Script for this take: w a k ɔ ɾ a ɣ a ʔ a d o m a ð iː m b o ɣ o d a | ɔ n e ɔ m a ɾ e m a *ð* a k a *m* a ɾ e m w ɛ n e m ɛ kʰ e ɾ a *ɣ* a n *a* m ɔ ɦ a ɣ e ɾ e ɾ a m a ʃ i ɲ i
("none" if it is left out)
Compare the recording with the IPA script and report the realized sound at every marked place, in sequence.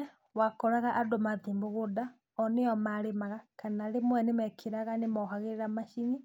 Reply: ɣ, n, ɣ, e

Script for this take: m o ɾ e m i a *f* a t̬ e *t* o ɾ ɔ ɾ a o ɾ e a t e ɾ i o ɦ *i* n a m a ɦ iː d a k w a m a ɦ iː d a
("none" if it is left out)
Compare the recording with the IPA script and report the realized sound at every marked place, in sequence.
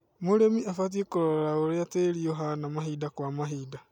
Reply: f, k, a

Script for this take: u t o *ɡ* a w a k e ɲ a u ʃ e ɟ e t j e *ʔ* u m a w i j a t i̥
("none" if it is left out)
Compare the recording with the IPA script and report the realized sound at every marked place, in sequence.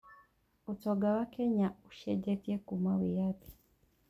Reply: ɡ, k

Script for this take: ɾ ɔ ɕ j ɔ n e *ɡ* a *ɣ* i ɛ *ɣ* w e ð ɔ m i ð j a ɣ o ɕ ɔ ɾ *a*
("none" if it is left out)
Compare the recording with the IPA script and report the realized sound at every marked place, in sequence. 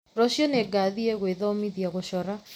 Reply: ɡ, ð, ɣ, a

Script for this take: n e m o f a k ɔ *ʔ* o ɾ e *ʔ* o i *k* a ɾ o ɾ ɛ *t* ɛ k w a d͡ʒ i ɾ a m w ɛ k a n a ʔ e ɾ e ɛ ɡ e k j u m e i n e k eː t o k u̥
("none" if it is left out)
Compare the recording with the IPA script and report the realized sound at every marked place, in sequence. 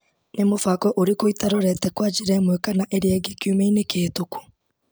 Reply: ʔ, k, t, t

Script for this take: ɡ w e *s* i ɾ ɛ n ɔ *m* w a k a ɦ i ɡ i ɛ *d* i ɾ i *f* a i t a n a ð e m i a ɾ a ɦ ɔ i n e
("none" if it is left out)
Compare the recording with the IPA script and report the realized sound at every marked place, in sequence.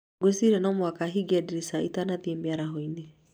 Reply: s, m, d, s

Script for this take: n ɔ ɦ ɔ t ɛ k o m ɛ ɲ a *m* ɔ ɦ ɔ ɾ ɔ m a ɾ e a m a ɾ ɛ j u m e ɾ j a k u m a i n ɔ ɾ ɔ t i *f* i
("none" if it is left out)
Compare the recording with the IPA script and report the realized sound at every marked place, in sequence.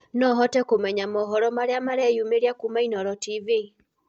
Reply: m, v

